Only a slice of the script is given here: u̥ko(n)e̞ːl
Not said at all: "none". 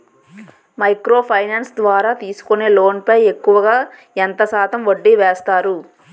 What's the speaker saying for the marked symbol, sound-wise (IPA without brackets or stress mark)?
n